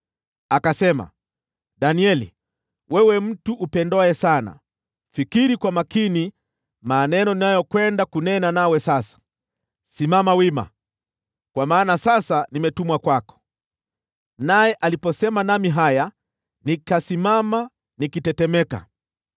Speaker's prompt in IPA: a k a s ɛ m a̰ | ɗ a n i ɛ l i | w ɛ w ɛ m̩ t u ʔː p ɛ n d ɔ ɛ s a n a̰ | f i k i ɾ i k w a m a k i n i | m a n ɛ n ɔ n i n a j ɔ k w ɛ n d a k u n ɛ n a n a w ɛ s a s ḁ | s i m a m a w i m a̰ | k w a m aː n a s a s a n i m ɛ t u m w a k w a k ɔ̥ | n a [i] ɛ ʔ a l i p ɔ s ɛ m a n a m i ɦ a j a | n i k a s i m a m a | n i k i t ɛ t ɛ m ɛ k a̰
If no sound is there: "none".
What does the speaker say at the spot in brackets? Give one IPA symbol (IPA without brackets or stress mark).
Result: j